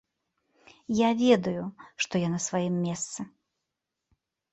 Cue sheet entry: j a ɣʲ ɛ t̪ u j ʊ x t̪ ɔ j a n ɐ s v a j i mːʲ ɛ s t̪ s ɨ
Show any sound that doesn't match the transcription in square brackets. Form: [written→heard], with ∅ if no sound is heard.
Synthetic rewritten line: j a [ɣʲ→vʲ] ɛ [t̪→d̪] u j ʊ [x→ʂ] t̪ ɔ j a n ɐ s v a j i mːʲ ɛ s t̪ s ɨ